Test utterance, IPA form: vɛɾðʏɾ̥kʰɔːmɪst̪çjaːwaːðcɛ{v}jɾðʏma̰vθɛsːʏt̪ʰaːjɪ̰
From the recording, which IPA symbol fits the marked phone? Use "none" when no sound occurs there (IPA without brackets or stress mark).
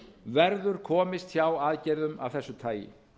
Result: none